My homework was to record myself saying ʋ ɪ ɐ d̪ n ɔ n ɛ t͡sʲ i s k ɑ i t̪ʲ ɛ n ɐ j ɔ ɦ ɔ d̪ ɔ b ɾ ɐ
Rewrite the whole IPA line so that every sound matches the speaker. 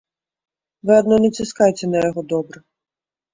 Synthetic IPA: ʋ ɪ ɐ d̪ n ɔ n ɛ t͡sʲ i s k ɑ j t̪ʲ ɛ n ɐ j ɔ ɦ ɔ d̪ ɔ b ɾ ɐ